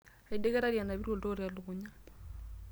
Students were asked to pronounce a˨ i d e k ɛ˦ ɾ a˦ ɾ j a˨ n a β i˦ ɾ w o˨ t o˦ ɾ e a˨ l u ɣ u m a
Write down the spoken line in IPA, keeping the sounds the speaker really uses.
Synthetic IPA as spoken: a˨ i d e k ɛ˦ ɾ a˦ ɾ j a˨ n a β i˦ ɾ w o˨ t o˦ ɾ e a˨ l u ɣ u ɲ a

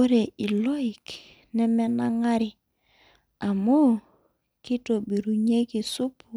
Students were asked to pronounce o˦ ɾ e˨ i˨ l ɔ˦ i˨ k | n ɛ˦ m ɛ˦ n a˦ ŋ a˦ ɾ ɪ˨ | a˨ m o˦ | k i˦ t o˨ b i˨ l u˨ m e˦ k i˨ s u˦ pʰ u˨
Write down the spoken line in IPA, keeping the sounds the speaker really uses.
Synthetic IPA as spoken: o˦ ɾ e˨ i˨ l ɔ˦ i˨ k | n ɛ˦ m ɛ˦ n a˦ ŋ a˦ ɾ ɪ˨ | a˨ m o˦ | k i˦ t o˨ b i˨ ɾ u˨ ɲ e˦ k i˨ s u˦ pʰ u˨

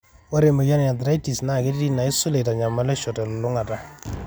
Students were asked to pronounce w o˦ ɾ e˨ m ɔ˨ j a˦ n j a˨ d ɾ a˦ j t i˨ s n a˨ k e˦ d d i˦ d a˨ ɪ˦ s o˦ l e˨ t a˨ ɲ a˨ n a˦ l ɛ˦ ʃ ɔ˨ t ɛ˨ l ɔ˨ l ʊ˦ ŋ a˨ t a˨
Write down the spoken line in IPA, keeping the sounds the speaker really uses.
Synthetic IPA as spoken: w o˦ ɾ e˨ m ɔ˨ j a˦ n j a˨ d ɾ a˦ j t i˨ s n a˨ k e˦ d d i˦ n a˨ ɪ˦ s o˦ l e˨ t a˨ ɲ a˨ m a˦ l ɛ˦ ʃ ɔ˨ t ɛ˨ l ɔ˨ l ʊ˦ ŋ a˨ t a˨

